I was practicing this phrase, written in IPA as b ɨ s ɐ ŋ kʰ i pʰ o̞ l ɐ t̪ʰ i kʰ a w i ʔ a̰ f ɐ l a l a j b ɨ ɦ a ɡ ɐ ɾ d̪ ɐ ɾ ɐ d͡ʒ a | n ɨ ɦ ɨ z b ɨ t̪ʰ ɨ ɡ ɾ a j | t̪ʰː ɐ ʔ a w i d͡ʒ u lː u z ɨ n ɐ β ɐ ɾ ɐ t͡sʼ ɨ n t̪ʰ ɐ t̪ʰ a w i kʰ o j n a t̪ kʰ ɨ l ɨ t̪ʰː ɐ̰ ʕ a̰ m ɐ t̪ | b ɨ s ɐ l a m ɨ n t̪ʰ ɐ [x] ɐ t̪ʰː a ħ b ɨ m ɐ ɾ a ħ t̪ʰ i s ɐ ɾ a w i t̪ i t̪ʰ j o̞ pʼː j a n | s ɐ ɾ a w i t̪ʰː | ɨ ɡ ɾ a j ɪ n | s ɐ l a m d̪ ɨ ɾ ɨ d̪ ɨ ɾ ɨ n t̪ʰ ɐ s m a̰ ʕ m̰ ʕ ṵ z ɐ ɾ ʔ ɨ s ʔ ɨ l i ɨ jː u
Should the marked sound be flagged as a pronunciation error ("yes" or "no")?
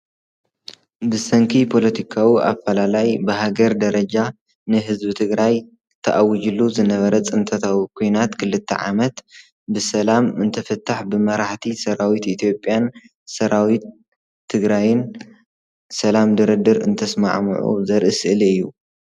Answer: yes